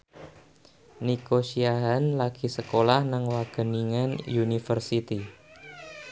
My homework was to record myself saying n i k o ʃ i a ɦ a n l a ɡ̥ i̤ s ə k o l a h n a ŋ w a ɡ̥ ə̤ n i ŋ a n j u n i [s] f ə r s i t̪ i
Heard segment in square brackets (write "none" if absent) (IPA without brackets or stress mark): none